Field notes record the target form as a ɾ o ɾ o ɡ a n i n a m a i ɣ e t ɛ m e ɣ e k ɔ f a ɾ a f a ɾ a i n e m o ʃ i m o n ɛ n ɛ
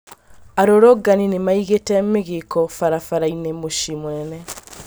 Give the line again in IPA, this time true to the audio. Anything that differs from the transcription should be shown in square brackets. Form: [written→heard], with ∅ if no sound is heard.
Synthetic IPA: a ɾ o ɾ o ɡ a n i n [a→e] m a i ɣ e t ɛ m e ɣ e k ɔ f a ɾ a f a ɾ a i n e m o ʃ i m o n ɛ n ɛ